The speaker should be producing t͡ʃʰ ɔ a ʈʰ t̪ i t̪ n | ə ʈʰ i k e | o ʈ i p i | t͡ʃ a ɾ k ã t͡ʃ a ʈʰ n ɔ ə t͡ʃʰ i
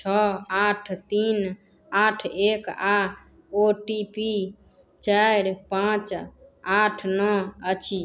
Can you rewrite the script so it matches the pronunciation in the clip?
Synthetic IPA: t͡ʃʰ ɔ a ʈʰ t̪ i n | a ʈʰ e k a | o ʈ i p i | t͡ʃ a ɾ p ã t͡ʃ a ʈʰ n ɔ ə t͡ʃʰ i